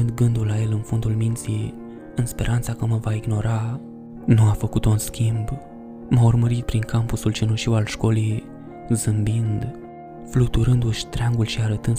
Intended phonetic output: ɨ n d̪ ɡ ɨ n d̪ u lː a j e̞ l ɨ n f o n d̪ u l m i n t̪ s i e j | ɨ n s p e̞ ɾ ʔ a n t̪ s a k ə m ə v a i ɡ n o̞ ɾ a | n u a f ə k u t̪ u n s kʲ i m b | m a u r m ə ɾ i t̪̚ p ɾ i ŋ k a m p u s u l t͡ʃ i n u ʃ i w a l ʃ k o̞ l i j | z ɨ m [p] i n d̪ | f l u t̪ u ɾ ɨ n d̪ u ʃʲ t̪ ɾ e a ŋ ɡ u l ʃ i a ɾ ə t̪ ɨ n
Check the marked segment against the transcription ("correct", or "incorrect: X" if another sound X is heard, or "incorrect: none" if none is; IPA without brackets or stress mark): incorrect: b